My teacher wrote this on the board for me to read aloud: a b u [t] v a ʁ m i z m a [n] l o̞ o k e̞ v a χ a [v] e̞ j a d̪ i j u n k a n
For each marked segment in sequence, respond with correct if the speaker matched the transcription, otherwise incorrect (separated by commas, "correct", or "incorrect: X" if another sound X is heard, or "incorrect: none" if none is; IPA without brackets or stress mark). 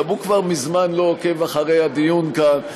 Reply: incorrect: k, correct, incorrect: ʁ